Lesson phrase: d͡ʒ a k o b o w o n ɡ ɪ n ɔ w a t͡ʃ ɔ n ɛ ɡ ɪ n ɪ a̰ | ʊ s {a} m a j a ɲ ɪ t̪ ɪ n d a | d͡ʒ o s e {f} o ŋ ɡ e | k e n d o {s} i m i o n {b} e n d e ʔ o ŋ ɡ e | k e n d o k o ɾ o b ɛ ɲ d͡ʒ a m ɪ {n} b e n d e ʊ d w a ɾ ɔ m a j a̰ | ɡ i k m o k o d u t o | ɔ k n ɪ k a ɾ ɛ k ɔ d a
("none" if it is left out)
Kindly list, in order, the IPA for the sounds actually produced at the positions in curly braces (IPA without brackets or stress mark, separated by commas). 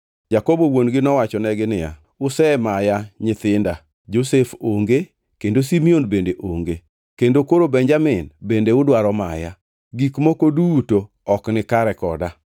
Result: ɛ, f, s, b, n